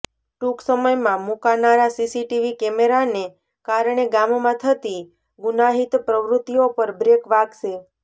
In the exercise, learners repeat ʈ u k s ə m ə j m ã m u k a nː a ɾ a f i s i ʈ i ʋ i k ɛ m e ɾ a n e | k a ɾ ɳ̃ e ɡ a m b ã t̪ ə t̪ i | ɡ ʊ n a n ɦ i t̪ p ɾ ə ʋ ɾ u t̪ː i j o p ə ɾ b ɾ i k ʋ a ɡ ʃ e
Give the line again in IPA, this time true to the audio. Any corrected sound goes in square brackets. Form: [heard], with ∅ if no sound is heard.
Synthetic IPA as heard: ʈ u k s ə m ə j m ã m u k a [n] a ɾ a [s] i s i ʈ i ʋ i k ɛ m e ɾ a n e | k a ɾ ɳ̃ e ɡ a m [m] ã [t̪ʰ] ə t̪ i | ɡ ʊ n a [∅] ɦ i t̪ p ɾ ə ʋ ɾ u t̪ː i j o p ə ɾ b ɾ [e] k ʋ a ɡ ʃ e

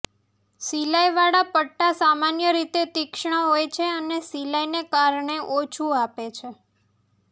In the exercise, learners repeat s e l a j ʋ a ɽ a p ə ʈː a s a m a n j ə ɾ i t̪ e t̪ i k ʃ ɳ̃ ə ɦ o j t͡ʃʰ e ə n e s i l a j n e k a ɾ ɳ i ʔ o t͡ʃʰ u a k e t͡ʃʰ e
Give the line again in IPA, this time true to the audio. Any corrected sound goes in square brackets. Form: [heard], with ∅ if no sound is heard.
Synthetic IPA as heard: s [i] l a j ʋ a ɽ a p ə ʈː a s a m a n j ə ɾ i t̪ e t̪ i k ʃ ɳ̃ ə ɦ o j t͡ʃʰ e ə n e s i l a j n e k a ɾ ɳ [e] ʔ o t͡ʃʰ u a [p] e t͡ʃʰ e

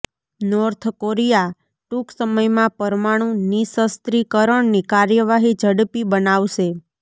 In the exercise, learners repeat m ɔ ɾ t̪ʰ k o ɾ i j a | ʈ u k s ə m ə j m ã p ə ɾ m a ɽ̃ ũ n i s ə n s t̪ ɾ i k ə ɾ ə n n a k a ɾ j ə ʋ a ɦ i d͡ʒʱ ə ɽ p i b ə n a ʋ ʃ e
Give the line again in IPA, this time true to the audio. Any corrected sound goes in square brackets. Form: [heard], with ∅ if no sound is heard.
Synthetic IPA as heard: [n] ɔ ɾ t̪ʰ k o ɾ i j a | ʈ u k s ə m ə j m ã p ə ɾ m a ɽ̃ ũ n i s ə [∅] s t̪ ɾ i k ə ɾ ə [ɳ] n [i] k a ɾ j ə ʋ a ɦ i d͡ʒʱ ə ɽ p i b ə n a ʋ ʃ e

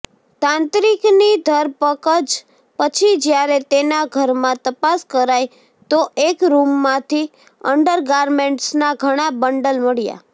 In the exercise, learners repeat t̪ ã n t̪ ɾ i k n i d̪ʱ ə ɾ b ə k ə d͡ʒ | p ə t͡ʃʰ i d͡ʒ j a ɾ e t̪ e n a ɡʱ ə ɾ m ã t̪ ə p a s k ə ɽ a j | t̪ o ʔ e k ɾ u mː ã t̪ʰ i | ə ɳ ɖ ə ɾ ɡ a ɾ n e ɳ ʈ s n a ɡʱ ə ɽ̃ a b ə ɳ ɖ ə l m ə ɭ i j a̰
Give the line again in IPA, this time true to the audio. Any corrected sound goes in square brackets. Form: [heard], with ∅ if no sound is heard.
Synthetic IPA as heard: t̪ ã n t̪ ɾ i k n i d̪ʱ ə ɾ [p] ə k ə d͡ʒ | p ə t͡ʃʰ i d͡ʒ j a ɾ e t̪ e n a ɡʱ ə ɾ m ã t̪ ə p a s k ə [ɾ] a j | t̪ o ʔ e k ɾ u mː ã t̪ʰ i | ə ɳ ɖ ə ɾ ɡ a ɾ [m] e ɳ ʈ s n a ɡʱ ə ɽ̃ a b ə ɳ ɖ ə l m ə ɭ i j a̰

